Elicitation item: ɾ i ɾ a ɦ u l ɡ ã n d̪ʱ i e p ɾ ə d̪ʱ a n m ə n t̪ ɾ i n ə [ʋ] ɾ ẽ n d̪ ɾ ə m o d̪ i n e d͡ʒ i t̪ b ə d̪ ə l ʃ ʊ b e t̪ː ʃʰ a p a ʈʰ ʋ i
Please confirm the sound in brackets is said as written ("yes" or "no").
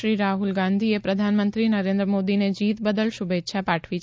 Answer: no